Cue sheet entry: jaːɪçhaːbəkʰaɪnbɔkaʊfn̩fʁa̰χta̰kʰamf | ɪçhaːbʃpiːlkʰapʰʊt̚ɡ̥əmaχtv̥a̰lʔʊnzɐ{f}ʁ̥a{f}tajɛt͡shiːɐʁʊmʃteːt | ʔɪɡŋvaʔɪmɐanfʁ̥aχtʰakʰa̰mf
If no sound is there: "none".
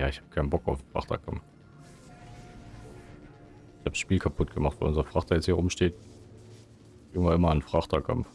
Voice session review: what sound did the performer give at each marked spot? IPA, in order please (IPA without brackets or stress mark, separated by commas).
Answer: f, χ